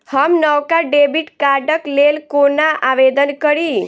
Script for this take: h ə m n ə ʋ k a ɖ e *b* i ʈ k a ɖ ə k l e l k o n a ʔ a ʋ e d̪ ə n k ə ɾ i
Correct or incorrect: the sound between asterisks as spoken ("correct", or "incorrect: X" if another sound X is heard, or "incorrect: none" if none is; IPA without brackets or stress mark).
correct